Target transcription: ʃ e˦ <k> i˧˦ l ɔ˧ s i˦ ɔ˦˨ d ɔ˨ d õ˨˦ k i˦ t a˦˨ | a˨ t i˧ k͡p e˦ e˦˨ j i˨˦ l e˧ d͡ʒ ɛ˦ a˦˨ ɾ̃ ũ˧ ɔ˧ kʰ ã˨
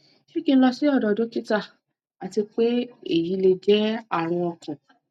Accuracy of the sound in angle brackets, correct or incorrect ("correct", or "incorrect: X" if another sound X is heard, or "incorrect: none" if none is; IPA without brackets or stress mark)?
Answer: correct